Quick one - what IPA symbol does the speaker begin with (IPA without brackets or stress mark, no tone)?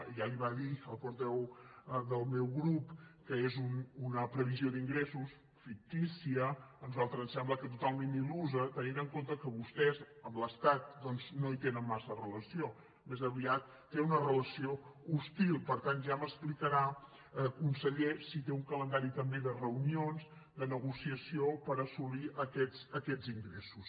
ʒ